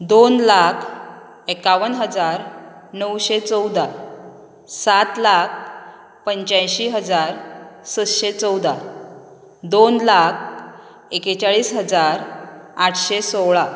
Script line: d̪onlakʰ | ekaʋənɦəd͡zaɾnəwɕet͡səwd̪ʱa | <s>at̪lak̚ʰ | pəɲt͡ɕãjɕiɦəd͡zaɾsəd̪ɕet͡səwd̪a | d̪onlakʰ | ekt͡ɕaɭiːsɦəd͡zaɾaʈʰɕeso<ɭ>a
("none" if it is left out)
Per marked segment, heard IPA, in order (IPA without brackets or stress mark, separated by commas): s, ɭ